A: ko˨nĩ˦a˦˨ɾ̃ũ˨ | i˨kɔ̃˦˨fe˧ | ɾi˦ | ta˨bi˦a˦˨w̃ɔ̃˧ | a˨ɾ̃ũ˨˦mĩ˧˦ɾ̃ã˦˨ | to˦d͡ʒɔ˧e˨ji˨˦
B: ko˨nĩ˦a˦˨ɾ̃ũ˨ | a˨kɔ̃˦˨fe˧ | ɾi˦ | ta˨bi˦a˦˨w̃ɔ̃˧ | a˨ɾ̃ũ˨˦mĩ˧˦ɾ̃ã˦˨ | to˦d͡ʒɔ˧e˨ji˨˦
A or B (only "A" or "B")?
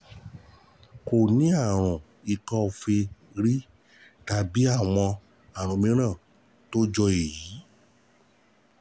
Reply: A